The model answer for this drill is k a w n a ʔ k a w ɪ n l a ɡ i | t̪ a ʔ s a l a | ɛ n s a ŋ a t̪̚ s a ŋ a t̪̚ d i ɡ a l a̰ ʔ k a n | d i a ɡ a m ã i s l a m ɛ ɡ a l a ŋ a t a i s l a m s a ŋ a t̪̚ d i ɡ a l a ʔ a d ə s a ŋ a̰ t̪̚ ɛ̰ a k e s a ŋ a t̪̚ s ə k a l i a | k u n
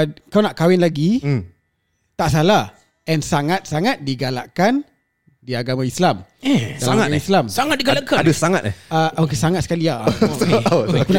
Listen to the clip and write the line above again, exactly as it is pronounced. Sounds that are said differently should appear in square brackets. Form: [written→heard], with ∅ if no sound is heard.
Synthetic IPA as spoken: k a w n a ʔ k a w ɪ n l a ɡ i | t̪ a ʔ s a l a | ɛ n s a ŋ a t̪̚ s a ŋ a t̪̚ d i ɡ a l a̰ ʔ k a n | d i a ɡ a m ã i s l a m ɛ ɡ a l a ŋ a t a i s l a m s a ŋ a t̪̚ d i ɡ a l a [ʔ→k] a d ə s a ŋ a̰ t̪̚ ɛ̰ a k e s a ŋ a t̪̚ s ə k a l i a | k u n